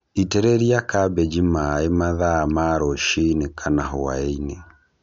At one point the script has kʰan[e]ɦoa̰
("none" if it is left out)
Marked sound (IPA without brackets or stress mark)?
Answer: a